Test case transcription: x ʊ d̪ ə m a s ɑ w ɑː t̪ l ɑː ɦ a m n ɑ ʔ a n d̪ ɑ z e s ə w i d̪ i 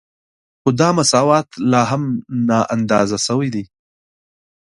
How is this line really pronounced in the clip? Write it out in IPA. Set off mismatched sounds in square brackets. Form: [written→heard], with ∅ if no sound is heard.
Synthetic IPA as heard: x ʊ d̪ [ə→ɑ] m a s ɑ w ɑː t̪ l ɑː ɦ a m n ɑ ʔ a n d̪ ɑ z [e→a] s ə w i d̪ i